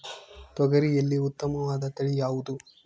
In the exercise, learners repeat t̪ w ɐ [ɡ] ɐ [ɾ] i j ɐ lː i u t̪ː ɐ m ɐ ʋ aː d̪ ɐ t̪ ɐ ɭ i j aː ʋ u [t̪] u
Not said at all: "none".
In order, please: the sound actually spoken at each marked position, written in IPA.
ɡ, ɾ, d̪

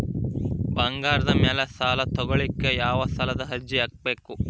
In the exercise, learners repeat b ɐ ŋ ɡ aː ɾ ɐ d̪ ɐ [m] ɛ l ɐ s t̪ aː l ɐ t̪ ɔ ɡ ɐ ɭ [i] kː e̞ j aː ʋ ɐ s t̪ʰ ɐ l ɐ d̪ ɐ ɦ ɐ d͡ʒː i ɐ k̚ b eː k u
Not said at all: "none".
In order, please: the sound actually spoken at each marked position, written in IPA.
m, i

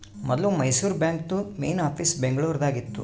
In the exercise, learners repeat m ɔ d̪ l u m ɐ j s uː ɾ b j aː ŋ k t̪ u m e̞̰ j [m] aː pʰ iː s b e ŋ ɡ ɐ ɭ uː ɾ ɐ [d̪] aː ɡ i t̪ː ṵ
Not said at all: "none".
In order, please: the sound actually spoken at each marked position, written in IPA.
n, d̪

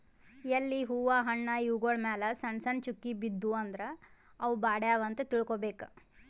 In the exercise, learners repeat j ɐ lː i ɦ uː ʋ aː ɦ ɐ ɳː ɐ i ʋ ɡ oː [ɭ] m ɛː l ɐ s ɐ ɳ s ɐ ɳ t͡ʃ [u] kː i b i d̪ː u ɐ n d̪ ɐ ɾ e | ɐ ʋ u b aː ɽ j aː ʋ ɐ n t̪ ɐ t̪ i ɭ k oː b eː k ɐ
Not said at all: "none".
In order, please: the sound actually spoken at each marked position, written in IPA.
ɭ, u

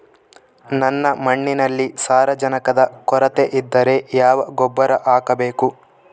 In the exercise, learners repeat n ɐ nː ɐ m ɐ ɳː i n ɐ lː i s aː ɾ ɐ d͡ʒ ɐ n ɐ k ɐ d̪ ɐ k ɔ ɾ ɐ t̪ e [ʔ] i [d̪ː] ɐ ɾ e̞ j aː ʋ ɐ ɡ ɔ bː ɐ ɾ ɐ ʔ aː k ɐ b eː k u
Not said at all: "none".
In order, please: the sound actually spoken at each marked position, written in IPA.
ʔ, d̪ː

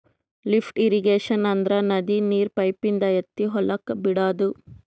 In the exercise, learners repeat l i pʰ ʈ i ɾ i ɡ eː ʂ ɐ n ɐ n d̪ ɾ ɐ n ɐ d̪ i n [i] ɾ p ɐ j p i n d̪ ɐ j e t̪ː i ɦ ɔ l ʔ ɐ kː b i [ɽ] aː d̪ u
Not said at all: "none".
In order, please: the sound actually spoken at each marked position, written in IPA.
iː, ɽ

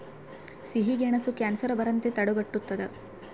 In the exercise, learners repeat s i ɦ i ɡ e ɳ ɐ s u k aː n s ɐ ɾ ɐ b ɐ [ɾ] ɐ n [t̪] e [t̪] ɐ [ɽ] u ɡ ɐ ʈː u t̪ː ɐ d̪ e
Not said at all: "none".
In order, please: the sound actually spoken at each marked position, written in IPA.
ɾ, t̪, t̪, ɽ

